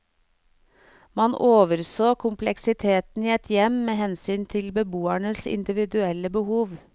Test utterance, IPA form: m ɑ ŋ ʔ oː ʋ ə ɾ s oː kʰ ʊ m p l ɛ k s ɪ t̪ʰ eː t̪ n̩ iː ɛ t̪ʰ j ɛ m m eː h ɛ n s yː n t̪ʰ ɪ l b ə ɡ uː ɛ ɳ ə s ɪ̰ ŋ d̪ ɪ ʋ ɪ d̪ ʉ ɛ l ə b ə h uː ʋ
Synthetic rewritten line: m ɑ n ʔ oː ʋ ə ɾ s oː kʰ ʊ m p l ɛ k s ɪ t̪ʰ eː t̪ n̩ iː ɛ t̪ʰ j ɛ m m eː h ɛ n s yː n t̪ʰ ɪ l b ə b uː æ ɳ ə s ɪ̰ n d̪ ɪ ʋ ɪ d̪ ʉ ɛ l ə b ə h uː ʋ